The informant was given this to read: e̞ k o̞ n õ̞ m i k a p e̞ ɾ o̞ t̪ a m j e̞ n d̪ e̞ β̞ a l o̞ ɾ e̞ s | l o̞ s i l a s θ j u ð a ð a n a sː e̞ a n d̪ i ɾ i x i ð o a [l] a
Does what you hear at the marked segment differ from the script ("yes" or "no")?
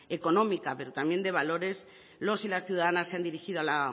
no